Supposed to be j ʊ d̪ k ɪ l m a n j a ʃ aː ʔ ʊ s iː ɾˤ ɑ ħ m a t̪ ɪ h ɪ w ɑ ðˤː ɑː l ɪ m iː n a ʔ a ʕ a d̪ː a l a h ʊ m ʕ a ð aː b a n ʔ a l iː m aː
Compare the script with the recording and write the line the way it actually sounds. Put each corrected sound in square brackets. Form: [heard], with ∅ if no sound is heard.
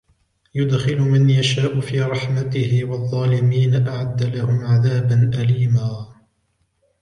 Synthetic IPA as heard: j ʊ d̪ [x] ɪ l m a n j a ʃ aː ʔ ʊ [f] iː ɾˤ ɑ ħ m a t̪ ɪ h ɪ w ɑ ðˤː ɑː l ɪ m iː n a ʔ a ʕ a d̪ː a l a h ʊ m ʕ a ð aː b a n ʔ a l iː m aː